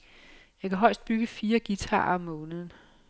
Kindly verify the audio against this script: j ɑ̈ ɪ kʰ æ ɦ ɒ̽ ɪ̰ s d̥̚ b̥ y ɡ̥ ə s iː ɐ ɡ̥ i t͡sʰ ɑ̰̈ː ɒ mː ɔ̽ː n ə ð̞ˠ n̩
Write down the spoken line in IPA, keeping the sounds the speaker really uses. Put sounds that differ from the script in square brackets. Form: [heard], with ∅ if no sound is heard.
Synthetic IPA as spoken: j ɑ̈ ɪ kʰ æ ɦ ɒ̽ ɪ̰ s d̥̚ b̥ y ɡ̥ ə [f] iː ɐ ɡ̥ i t͡sʰ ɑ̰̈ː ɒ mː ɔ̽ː n ə ð̞ˠ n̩